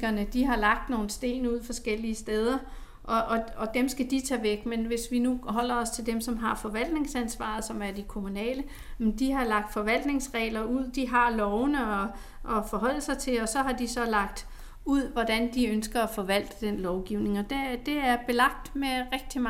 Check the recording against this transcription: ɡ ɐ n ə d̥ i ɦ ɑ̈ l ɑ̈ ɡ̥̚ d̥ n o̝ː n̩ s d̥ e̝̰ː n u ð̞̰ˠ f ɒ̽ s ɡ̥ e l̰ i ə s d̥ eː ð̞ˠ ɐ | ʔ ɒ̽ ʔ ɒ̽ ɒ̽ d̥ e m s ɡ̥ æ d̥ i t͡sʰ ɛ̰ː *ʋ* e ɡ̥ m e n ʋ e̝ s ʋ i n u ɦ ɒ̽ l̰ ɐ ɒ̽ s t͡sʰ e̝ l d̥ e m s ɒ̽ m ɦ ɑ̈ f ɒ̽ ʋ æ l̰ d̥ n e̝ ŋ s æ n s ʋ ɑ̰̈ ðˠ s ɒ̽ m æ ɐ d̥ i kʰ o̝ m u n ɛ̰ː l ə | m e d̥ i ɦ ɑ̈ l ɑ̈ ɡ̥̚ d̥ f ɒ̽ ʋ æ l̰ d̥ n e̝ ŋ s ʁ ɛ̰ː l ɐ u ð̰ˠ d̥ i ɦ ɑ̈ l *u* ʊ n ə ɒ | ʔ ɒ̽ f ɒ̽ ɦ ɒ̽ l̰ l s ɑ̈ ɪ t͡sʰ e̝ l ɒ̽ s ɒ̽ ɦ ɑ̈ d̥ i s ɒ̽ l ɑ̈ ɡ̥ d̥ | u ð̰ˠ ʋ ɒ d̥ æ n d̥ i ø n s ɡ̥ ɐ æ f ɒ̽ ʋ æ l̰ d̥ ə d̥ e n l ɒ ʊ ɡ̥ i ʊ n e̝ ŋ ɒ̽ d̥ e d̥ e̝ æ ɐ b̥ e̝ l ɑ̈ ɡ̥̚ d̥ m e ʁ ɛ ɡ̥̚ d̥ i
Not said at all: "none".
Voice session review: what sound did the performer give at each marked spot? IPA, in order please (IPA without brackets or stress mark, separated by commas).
ʋ, ɒ